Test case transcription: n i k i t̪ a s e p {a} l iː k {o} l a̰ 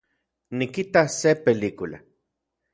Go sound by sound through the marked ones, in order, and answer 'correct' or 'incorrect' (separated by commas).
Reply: incorrect, incorrect